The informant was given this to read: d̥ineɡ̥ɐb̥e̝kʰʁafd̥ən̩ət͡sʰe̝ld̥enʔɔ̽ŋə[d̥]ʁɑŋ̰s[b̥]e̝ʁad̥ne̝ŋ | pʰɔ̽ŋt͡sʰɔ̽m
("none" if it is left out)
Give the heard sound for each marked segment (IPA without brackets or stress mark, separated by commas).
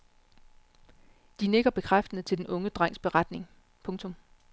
d̥, b̥